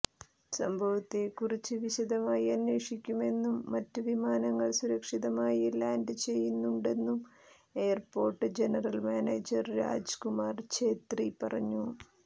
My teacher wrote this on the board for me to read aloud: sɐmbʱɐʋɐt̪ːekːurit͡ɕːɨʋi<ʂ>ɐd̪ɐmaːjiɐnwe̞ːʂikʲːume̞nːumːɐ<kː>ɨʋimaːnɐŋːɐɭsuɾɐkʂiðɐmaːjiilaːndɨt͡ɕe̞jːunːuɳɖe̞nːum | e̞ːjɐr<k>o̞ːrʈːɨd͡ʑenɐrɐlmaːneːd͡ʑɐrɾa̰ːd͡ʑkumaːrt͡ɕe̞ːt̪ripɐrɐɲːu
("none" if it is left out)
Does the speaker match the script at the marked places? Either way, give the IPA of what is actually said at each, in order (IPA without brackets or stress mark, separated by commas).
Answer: ɕ, tː, p